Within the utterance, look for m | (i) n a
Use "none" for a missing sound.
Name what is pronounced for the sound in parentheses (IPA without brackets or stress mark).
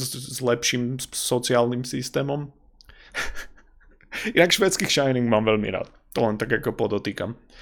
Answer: i